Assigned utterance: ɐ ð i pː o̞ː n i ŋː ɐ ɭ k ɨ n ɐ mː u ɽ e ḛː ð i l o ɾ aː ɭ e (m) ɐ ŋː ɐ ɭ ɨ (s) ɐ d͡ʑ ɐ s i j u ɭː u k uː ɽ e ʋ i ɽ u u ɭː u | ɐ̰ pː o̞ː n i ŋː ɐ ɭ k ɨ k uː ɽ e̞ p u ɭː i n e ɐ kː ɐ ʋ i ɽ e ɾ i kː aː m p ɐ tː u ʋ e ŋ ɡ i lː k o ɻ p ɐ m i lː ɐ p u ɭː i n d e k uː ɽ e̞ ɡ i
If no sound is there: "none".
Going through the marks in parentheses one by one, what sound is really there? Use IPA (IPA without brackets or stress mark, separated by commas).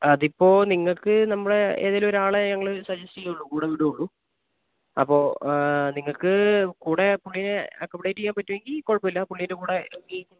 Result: ɲ, s